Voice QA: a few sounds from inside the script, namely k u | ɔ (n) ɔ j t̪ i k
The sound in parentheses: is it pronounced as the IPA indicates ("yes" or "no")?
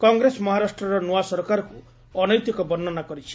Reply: yes